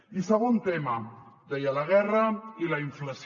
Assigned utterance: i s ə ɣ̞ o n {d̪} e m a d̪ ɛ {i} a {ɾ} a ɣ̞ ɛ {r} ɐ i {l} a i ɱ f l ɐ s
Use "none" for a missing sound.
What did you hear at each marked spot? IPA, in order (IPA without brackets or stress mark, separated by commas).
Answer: t̪, j, l, r, l